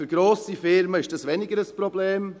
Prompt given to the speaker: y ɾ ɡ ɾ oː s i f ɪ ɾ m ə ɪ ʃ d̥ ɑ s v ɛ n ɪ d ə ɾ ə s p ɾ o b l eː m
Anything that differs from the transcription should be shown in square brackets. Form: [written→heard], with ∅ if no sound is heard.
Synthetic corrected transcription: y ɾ ɡ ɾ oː s i f ɪ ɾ m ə ɪ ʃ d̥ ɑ s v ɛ n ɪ [d→ɡ] ə ɾ ə s p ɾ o b l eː m